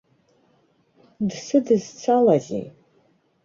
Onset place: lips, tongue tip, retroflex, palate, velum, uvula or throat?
tongue tip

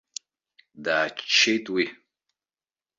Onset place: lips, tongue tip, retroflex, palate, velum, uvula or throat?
tongue tip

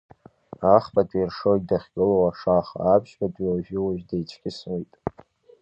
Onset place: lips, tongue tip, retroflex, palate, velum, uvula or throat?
uvula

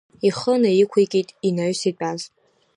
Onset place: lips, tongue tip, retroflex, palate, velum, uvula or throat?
uvula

